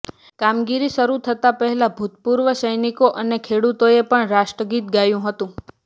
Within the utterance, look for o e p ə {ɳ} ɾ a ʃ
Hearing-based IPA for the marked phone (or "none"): ɳ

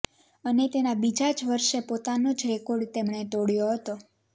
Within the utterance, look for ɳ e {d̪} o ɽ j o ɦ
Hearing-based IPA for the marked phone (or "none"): t̪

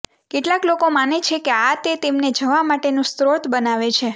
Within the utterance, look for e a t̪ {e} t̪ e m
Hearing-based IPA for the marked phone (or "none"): e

